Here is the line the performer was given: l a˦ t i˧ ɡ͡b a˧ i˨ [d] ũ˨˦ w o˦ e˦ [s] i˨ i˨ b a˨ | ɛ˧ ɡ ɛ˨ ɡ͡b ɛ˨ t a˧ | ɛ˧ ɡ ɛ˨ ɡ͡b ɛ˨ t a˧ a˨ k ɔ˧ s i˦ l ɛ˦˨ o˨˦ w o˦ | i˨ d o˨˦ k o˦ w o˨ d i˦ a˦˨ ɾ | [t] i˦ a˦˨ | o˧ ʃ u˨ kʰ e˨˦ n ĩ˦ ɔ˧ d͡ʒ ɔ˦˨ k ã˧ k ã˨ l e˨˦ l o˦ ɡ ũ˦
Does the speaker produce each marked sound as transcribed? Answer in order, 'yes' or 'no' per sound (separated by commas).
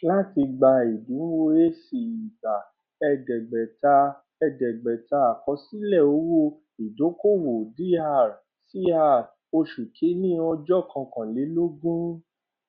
yes, yes, no